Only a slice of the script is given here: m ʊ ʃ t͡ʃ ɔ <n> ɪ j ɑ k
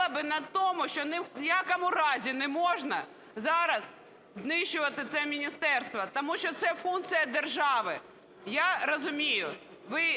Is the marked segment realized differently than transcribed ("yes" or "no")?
no